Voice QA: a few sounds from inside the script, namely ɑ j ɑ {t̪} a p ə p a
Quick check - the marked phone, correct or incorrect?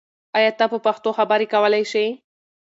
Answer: correct